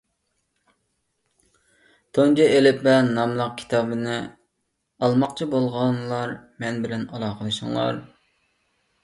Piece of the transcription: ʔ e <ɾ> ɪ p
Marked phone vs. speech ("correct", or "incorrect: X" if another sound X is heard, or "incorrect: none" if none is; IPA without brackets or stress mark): incorrect: l